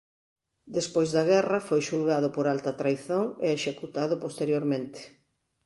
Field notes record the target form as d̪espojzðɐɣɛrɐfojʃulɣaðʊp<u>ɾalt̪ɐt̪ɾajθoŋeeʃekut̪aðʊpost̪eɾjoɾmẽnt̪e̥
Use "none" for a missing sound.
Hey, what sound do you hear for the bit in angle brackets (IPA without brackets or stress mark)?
o